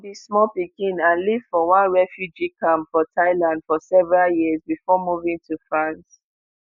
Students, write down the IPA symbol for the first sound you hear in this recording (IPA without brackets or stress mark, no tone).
b